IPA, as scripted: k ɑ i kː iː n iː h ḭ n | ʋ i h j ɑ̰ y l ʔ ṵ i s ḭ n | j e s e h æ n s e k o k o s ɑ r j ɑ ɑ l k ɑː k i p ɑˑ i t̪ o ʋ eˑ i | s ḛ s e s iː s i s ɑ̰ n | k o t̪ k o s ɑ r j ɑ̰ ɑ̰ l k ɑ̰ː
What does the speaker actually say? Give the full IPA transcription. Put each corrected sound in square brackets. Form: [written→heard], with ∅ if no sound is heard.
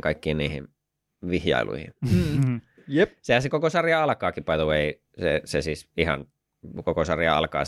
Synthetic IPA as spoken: k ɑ i kː iː n iː h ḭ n | ʋ i h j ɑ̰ [y→i] l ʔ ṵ i [s→h] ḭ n | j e s e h æ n s e k o k o s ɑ r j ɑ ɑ l k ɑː k i p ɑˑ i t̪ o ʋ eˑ i | s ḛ s e s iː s i [s→h] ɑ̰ n | k o [t̪→∅] k o s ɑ r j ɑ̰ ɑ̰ l k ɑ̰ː